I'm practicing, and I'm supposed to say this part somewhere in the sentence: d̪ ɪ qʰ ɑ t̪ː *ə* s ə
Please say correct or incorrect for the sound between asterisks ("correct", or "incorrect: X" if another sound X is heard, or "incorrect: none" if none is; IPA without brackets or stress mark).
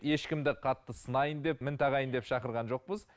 correct